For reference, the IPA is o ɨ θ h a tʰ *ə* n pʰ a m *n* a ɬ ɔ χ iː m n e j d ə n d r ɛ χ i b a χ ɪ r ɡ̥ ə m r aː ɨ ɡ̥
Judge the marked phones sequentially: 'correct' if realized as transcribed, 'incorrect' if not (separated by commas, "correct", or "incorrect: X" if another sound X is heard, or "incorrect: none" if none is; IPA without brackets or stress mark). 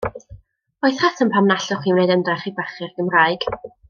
correct, correct